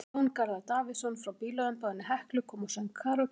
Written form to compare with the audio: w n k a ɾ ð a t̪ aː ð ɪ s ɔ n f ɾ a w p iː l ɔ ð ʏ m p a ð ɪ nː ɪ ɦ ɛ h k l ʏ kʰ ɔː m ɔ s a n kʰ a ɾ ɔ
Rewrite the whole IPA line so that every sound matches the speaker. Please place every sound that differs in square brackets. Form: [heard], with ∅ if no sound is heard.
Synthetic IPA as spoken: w n k a ɾ ð a t̪ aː [v] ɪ s ɔ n f ɾ a w p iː l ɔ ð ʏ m p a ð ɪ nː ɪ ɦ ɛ h k l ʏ kʰ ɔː m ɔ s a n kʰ a ɾ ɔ